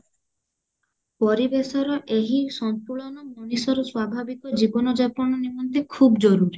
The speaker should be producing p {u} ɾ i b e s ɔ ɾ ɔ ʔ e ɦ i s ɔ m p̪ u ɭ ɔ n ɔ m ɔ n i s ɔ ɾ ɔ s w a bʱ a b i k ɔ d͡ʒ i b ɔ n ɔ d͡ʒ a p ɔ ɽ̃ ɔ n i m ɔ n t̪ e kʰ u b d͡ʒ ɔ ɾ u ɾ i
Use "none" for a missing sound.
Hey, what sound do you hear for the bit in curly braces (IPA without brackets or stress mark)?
ɔ